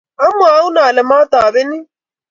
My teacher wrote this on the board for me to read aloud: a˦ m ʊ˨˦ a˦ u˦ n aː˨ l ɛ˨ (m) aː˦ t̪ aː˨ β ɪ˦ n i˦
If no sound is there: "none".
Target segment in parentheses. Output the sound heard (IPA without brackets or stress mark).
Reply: m